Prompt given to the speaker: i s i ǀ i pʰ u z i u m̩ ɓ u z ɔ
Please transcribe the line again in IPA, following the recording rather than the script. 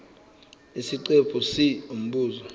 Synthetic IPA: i s i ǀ e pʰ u s i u m̩ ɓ uː z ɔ